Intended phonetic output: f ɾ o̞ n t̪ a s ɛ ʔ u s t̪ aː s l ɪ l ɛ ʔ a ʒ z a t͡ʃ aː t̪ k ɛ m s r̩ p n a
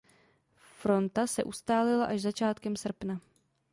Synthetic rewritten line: f ɾ o̞ n t̪ a s ɛ ʔ u s t̪ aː l ɪ l a ʔ a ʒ z a t͡ʃ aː t̪ k ɛ m s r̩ p n a